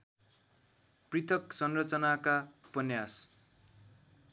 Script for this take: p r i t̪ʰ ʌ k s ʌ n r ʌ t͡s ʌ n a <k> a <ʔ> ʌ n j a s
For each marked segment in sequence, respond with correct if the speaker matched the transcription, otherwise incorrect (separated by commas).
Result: correct, incorrect